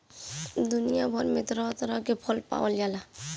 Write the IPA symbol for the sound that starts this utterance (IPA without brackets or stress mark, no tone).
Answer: d̪